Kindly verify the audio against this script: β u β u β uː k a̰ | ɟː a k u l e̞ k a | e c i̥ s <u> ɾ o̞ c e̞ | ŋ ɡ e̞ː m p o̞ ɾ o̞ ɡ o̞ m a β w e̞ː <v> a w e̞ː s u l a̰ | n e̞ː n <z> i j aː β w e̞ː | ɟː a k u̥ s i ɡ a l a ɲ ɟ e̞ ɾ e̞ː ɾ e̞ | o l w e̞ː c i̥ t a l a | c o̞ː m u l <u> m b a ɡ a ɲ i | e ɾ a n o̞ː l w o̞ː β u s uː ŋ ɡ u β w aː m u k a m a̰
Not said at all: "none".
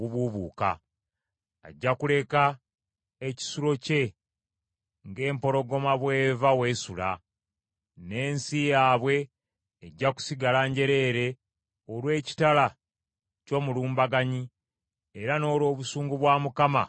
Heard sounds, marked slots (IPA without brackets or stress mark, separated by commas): u, v, s, uː